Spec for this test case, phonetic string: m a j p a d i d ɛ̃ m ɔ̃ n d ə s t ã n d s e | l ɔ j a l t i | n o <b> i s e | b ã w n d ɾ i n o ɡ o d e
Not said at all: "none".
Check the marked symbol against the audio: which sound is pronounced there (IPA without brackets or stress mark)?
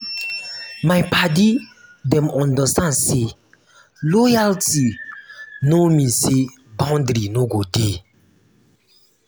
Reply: m